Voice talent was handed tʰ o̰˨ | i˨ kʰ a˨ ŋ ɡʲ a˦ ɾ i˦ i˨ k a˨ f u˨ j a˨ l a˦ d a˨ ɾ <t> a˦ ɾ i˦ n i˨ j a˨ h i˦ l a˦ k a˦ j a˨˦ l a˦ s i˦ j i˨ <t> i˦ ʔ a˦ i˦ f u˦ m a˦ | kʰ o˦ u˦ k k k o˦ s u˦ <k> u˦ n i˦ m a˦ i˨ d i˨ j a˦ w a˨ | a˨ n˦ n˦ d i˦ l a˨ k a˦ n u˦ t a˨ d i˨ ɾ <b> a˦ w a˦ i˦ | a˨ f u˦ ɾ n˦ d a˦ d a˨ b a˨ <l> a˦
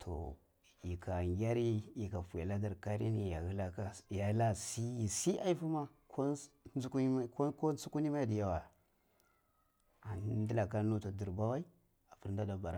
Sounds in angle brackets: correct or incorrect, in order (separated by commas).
incorrect, incorrect, correct, correct, incorrect